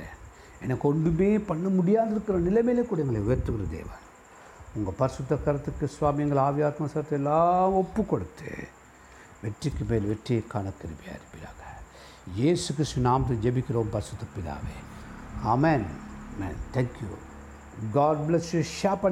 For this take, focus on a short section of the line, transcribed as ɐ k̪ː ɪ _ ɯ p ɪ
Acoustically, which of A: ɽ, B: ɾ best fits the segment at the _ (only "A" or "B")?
B